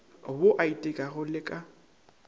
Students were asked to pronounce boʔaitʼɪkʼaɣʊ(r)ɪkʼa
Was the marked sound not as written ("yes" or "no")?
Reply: yes